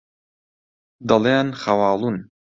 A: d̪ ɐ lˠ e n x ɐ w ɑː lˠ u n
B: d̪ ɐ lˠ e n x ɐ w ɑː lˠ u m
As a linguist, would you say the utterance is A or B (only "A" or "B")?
A